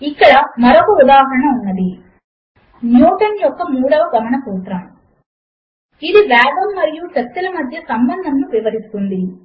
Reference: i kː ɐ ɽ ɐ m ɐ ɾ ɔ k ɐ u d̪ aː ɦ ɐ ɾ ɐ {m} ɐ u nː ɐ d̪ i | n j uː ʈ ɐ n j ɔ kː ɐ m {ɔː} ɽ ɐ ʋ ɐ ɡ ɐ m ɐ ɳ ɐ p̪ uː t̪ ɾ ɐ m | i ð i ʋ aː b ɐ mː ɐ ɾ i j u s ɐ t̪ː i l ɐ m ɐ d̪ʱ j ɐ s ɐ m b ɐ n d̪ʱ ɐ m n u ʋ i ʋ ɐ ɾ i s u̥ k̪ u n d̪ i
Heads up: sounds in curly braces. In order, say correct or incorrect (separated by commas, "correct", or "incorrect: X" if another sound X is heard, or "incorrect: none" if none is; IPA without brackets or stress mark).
incorrect: ɳ, incorrect: uː